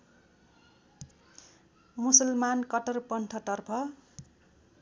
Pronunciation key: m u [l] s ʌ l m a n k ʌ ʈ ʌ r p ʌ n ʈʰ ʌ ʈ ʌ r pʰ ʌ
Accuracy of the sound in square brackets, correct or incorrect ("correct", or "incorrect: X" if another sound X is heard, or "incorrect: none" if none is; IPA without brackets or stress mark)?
incorrect: none